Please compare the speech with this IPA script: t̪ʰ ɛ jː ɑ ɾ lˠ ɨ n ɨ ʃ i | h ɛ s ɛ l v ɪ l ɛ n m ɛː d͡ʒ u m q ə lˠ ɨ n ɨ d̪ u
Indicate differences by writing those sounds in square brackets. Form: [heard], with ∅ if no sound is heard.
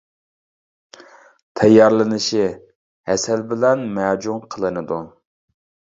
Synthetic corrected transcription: t̪ʰ ɛ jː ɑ ɾ lˠ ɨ n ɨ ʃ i | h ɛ s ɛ l [b] ɪ l ɛ n m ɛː d͡ʒ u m [qʰ] ə lˠ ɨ n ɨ d̪ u

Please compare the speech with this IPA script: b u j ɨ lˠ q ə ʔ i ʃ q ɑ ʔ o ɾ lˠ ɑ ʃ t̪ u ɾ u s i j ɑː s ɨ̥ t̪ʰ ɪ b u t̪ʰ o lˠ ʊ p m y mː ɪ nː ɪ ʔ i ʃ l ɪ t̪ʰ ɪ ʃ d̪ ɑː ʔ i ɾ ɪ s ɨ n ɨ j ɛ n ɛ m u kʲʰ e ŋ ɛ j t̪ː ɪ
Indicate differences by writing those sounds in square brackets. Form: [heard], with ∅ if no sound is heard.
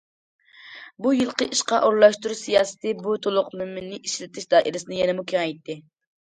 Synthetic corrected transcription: b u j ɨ lˠ q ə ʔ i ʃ q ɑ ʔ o ɾ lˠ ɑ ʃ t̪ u ɾ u s i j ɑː s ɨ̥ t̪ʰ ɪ b u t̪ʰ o lˠ ʊ [q] m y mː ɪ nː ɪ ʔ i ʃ l ɪ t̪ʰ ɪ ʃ d̪ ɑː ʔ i ɾ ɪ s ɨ n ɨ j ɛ n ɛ m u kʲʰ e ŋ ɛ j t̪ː ɪ

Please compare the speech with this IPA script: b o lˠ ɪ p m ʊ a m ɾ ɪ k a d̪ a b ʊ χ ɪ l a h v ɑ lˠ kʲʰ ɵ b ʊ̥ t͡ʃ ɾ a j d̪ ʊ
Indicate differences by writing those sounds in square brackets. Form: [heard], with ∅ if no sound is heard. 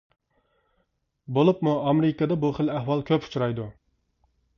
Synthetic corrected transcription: b o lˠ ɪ p m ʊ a m ɾ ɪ k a d̪ a b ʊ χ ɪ l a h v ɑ lˠ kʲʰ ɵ [p] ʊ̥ t͡ʃ ɾ a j d̪ ʊ

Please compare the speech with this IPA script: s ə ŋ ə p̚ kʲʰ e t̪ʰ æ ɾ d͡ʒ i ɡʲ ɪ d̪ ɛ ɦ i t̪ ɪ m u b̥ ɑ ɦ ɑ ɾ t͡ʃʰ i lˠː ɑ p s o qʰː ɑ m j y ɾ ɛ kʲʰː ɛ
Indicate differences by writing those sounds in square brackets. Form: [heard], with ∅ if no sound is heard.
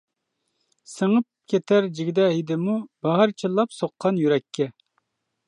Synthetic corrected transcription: s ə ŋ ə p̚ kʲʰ e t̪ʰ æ ɾ d͡ʒ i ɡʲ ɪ d̪ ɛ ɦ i [d̪] ɪ m u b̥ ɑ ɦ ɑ ɾ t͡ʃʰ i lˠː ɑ p s o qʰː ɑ [n] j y ɾ ɛ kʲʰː ɛ

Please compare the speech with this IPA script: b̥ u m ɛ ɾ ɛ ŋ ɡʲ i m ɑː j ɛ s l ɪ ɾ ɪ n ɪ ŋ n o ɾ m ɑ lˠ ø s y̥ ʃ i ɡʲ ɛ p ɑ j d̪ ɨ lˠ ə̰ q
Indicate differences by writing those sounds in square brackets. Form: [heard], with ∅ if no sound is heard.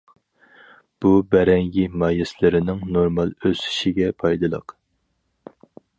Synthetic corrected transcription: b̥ u [b] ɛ ɾ ɛ ŋ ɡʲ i m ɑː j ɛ s l ɪ ɾ ɪ n ɪ ŋ n o ɾ m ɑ lˠ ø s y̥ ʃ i ɡʲ ɛ [pʰ] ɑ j d̪ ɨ lˠ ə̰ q

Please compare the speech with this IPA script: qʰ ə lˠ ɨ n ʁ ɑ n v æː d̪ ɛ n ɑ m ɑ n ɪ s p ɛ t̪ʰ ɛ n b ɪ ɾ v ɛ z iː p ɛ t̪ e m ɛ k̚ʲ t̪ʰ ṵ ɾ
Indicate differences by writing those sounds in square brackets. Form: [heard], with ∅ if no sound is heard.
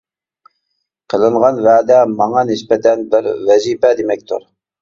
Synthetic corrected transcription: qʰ ə lˠ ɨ [ɴ] ʁ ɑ n v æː d̪ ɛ [m] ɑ [ŋ] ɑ n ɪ s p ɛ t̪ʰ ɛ n b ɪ ɾ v ɛ z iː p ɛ [d̪] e m ɛ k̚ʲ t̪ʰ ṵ ɾ

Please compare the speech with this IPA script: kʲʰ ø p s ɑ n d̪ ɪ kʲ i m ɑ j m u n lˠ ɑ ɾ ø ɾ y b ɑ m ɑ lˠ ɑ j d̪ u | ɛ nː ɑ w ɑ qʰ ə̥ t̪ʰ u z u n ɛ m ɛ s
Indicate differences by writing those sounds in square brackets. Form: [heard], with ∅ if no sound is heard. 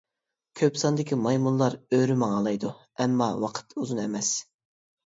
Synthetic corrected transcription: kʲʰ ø p s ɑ n d̪ ɪ kʲ i m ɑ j m u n lˠ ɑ ɾ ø ɾ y [m] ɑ [ŋ] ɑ lˠ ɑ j d̪ u | ɛ [mː] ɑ w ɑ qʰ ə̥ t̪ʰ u z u n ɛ m ɛ s

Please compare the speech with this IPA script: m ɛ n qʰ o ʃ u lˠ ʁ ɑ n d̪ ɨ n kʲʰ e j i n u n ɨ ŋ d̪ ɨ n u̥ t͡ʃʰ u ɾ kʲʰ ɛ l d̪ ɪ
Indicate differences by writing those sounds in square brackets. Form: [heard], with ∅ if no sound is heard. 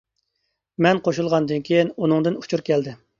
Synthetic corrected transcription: m ɛ n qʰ o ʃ u lˠ ʁ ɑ n d̪ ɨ n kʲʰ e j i n u n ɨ ŋ d̪ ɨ n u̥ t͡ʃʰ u ɾ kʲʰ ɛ l d̪ ɪ

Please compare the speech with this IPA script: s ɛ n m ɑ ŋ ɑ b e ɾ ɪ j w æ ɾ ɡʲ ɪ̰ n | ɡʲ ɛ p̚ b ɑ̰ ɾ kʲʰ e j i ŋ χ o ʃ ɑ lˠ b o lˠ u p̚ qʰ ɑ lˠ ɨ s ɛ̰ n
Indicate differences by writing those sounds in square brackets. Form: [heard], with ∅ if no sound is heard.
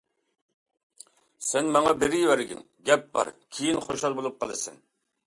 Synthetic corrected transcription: s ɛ n m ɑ ŋ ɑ b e ɾ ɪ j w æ ɾ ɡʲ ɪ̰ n | ɡʲ ɛ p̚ b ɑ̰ ɾ kʲʰ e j i [n] χ o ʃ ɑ lˠ b o lˠ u p̚ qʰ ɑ lˠ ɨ s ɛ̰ n

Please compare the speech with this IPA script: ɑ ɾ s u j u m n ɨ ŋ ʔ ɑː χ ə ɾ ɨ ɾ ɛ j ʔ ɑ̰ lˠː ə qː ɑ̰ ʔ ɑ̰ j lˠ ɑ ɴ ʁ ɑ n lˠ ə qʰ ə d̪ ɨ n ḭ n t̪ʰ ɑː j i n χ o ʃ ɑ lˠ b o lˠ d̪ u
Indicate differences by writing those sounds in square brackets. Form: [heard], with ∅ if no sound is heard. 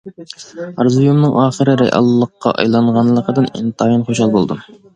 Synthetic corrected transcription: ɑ ɾ [z] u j u m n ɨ ŋ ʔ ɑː χ ə ɾ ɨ ɾ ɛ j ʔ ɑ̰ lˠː ə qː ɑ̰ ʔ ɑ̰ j lˠ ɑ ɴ ʁ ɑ n lˠ ə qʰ ə d̪ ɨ n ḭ n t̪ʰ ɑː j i n χ o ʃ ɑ lˠ b o lˠ d̪ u

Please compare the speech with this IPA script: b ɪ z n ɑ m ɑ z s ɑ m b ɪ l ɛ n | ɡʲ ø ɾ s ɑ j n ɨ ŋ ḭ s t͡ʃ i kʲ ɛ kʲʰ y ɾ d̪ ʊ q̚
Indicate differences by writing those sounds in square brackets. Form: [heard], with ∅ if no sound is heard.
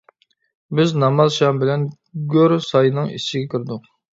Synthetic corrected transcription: b ɪ z n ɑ m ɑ z [ʃ] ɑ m b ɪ l ɛ n | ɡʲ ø ɾ s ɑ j n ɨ ŋ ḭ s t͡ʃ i [ɡʲ] ɛ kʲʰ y ɾ d̪ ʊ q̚

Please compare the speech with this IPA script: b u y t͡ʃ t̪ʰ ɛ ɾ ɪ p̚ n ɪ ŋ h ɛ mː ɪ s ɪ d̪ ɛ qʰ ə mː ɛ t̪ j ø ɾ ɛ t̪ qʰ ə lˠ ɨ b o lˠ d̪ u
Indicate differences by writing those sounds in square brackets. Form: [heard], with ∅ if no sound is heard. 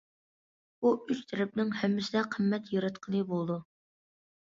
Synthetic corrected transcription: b u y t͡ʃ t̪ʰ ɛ ɾ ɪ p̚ n ɪ ŋ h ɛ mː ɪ s ɪ d̪ ɛ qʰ ə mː ɛ t̪ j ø ɾ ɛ t̪ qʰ ə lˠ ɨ b o lˠ d̪ u

